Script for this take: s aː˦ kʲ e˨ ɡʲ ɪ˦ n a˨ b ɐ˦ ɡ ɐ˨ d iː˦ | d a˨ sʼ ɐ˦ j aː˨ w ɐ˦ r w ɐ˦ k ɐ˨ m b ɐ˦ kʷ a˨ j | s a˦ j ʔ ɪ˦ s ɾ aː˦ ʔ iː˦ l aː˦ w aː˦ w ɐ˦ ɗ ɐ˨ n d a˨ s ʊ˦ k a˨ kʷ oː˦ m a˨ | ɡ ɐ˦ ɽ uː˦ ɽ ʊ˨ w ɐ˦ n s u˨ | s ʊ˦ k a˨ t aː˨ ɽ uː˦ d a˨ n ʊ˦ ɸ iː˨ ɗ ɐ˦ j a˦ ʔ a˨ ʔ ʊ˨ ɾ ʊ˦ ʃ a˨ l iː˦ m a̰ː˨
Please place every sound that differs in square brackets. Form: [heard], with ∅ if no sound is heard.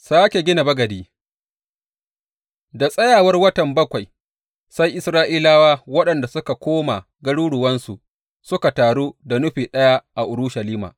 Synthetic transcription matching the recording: s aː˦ kʲ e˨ ɡʲ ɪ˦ n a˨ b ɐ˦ ɡ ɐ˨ d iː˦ | d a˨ sʼ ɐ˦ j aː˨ w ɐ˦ r w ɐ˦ [t] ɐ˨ m b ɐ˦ kʷ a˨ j | s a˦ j ʔ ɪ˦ s ɾ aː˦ ʔ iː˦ l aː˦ w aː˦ w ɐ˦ ɗ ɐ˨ n d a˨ s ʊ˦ k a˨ kʷ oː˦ m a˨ | ɡ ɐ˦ ɽ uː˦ ɽ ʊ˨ w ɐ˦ n s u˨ | s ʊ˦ k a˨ t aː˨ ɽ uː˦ d a˨ n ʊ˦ ɸ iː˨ ɗ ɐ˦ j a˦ ʔ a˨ ʔ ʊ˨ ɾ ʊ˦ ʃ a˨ l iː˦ m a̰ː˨